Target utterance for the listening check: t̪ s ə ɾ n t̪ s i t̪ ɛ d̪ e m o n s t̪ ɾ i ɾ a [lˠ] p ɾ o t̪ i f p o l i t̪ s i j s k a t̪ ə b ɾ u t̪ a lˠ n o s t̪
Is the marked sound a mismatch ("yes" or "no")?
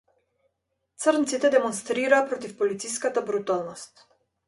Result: yes